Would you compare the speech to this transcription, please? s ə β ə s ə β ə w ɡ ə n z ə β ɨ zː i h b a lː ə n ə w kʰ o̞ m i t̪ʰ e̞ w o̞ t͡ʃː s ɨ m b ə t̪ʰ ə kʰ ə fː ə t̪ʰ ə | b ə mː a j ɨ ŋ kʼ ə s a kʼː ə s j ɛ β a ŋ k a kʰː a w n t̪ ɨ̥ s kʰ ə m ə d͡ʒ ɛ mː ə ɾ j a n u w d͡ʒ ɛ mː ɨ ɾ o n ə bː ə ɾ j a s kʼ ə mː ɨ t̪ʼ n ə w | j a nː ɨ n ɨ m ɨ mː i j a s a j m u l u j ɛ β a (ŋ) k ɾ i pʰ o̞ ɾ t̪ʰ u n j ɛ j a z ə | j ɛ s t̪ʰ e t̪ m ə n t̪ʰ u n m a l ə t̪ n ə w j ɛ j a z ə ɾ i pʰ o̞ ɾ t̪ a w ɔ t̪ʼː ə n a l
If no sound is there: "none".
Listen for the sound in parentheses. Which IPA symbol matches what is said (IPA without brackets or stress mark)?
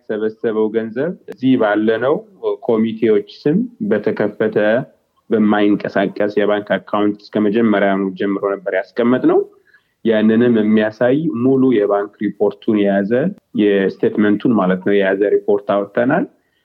ŋ